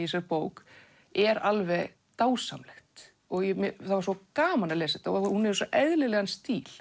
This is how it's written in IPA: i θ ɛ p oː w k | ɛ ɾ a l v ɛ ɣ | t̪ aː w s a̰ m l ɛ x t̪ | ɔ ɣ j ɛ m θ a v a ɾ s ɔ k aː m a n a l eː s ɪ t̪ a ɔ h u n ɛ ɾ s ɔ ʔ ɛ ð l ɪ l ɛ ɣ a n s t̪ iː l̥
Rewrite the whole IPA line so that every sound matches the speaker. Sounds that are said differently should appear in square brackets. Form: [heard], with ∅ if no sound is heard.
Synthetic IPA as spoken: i [s] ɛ p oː w k | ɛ ɾ a l v ɛ ɣ | t̪ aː w s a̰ m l ɛ x t̪ | ɔ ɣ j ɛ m θ a v a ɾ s ɔ k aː m a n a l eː s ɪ t̪ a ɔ h u n ɛ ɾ s ɔ ʔ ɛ ð l ɪ l ɛ ɣ a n s t̪ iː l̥